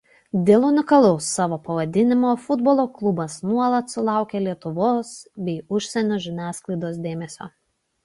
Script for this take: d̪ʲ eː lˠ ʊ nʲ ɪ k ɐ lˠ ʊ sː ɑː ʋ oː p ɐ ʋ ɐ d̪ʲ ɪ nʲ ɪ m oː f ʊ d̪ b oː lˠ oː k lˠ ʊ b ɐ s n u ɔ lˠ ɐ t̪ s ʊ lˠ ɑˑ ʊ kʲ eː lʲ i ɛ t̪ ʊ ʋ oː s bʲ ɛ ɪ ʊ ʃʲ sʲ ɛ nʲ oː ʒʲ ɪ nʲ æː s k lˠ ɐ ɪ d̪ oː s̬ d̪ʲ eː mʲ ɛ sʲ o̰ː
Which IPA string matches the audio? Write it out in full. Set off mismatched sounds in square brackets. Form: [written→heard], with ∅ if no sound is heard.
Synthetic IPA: d̪ʲ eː lˠ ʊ nʲ ɪ k ɐ lˠ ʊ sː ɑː ʋ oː p ɐ ʋ ɐ d̪ʲ ɪ nʲ ɪ m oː f ʊ d̪ b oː lˠ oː k lˠ ʊ b ɐ s n u ɔ lˠ ɐ t̪ s ʊ lˠ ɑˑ ʊ kʲ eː lʲ i ɛ t̪ ʊ ʋ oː s bʲ ɛ ɪ ʊ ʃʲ sʲ ɛ nʲ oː ʒʲ ɪ nʲ æː s k lˠ ɐ ɪ d̪ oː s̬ d̪ʲ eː mʲ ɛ sʲ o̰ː

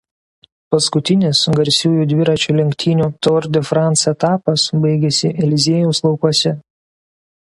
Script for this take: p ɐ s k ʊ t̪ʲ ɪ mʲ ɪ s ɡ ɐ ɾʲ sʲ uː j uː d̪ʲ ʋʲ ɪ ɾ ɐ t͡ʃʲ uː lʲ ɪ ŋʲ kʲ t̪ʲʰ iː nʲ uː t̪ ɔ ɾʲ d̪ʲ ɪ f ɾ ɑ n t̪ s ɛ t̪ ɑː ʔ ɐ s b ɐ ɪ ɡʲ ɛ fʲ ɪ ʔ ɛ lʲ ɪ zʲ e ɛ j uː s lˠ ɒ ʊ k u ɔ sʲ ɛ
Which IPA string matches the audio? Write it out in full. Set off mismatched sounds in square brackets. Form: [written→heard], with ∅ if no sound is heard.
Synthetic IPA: p ɐ s k ʊ t̪ʲ ɪ [mʲ→nʲ] ɪ s ɡ ɐ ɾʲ sʲ uː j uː d̪ʲ ʋʲ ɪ ɾ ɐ t͡ʃʲ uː lʲ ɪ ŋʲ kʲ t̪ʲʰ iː nʲ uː t̪ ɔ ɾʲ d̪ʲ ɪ f ɾ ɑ n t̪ s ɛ t̪ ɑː [ʔ→p] ɐ s b ɐ ɪ ɡʲ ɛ [fʲ→sʲ] ɪ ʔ ɛ lʲ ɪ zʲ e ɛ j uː s lˠ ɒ ʊ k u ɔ sʲ ɛ

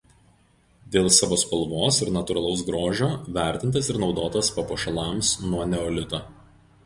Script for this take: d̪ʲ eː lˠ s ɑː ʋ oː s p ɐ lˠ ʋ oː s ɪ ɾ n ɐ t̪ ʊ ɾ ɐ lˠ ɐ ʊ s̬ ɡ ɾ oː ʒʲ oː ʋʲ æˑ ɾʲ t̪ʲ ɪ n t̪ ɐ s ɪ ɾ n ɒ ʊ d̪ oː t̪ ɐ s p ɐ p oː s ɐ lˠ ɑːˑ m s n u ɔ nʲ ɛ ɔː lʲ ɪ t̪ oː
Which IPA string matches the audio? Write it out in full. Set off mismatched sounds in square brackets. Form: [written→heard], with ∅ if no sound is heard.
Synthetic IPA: d̪ʲ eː lˠ s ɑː ʋ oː s p ɐ lˠ ʋ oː s ɪ ɾ n ɐ t̪ ʊ ɾ ɐ lˠ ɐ ʊ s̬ ɡ ɾ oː ʒʲ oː ʋʲ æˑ ɾʲ t̪ʲ ɪ n t̪ ɐ s ɪ ɾ n ɒ ʊ d̪ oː t̪ ɐ s p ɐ p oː [s→ʃ] ɐ lˠ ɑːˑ m s n u ɔ nʲ ɛ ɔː lʲ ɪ t̪ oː

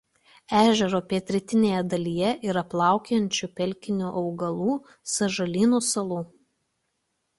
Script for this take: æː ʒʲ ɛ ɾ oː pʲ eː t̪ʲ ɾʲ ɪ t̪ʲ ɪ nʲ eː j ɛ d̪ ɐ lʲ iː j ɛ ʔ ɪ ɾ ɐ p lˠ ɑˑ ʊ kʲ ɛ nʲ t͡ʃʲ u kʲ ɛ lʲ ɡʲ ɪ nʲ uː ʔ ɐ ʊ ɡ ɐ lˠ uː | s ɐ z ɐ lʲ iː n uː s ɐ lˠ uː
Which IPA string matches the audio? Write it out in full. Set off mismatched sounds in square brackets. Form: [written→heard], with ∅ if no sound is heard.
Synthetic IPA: æː ʒʲ ɛ ɾ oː pʲ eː t̪ʲ ɾʲ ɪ t̪ʲ ɪ nʲ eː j ɛ d̪ ɐ lʲ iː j ɛ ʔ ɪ ɾ ɐ p lˠ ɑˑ ʊ kʲ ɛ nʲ t͡ʃʲ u [kʲ→pʲ] ɛ lʲ [ɡʲ→kʲ] ɪ nʲ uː ʔ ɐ ʊ ɡ ɐ lˠ uː | s ɐ [z→ʒ] ɐ lʲ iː n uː s ɐ lˠ uː

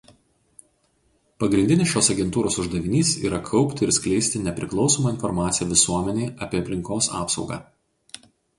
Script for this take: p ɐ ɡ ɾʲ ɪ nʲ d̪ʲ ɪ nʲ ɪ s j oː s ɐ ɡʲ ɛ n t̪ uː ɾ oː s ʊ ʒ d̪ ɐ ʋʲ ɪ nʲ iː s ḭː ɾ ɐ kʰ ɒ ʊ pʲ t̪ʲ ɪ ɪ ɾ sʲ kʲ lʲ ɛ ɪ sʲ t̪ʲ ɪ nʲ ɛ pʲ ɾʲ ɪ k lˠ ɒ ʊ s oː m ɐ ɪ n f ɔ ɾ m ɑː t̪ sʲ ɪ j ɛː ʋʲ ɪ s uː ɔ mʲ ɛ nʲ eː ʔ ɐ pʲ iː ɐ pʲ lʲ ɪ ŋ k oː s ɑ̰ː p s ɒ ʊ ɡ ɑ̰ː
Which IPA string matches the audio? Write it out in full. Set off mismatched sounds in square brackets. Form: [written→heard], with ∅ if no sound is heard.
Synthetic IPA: p ɐ ɡ ɾʲ ɪ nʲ d̪ʲ ɪ nʲ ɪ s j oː s ɐ ɡʲ ɛ n t̪ uː ɾ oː s ʊ ʒ d̪ ɐ ʋʲ ɪ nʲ iː s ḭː ɾ ɐ kʰ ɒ ʊ pʲ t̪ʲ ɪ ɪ ɾ sʲ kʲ lʲ ɛ ɪ sʲ t̪ʲ ɪ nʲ ɛ pʲ ɾʲ ɪ k lˠ ɒ ʊ s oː m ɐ ɪ n f ɔ ɾ m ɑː t̪ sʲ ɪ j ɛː ʋʲ ɪ s [uː→u] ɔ mʲ ɛ nʲ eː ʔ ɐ pʲ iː ɐ pʲ lʲ ɪ ŋ k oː s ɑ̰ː p s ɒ ʊ ɡ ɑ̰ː

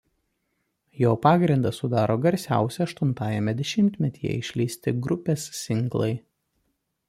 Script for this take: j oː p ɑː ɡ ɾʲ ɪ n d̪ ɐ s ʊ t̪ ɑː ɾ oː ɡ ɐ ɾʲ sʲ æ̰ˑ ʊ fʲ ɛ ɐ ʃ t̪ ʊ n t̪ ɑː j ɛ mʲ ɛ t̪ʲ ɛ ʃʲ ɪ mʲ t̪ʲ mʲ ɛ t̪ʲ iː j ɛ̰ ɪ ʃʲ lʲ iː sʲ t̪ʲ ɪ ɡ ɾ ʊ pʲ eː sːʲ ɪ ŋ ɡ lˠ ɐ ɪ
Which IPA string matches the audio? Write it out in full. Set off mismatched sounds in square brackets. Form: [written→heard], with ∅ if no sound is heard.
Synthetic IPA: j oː p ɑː ɡ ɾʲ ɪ n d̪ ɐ s ʊ [t̪→d̪] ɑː ɾ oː ɡ ɐ ɾʲ sʲ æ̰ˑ ʊ [fʲ→sʲ] ɛ ɐ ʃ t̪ ʊ n t̪ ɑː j ɛ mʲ ɛ [t̪ʲ→d̪ʲ] ɛ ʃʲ ɪ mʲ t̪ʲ mʲ ɛ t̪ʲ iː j ɛ̰ ɪ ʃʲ lʲ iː sʲ t̪ʲ ɪ ɡ ɾ ʊ pʲ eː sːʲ ɪ ŋ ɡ lˠ ɐ ɪ

